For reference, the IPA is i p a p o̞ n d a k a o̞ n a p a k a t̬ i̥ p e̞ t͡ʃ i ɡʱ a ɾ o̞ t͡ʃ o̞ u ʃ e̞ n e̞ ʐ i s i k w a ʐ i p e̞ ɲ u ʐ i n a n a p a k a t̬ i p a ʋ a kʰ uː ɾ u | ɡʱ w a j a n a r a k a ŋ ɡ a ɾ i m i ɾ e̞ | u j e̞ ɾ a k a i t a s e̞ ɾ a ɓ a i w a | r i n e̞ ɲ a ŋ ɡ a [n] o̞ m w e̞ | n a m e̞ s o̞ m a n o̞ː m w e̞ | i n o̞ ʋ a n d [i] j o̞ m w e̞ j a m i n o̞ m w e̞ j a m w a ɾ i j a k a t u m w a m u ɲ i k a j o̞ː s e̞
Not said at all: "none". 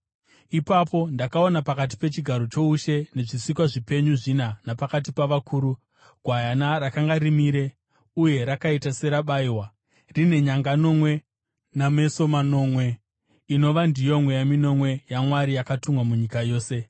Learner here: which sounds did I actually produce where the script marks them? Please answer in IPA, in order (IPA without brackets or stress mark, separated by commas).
n, i